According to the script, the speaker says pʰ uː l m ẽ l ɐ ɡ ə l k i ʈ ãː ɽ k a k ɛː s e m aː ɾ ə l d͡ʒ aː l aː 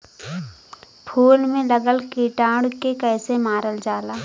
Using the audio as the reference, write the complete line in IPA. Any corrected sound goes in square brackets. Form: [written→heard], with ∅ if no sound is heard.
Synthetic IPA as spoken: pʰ uː l m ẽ l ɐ ɡ ə l k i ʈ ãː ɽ k [a→e] k ɛː s e m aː ɾ ə l d͡ʒ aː l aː